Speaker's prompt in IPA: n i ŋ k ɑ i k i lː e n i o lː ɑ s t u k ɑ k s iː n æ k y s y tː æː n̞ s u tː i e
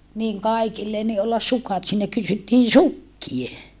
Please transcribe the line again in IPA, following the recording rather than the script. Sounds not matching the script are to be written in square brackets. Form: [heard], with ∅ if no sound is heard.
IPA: n i ŋ k ɑ i k i lː e n i o lː ɑ s [s] u k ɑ [t] s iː n æ k y s y tː [iː] n̞ s u [kː] i e